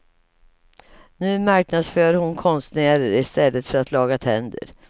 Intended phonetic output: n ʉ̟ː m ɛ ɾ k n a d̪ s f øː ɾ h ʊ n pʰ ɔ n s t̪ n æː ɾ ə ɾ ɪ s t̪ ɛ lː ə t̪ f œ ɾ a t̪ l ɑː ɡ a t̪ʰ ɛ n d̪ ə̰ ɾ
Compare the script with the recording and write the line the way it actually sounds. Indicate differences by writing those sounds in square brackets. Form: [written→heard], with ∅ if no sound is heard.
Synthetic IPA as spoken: n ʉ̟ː m [ɛ→a] ɾ k n a d̪ s f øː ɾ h ʊ n [pʰ→kʰ] ɔ n s t̪ n æː ɾ ə ɾ ɪ s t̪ ɛ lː ə t̪ f œ ɾ a t̪ l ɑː ɡ a t̪ʰ ɛ n d̪ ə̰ ɾ